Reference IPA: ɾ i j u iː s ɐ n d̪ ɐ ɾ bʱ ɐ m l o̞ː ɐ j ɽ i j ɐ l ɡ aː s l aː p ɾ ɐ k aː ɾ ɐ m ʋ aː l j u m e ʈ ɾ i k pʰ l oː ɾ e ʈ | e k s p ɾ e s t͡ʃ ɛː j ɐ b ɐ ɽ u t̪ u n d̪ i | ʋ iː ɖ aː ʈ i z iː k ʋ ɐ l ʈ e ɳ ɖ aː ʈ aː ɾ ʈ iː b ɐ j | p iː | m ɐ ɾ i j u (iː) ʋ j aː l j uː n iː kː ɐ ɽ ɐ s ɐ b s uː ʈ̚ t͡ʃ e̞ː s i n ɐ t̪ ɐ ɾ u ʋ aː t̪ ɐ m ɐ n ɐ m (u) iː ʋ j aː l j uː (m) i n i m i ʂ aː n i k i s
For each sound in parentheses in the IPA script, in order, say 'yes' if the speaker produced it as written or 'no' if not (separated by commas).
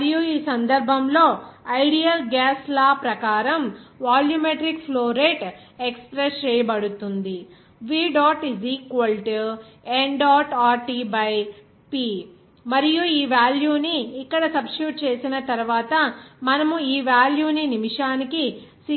yes, yes, no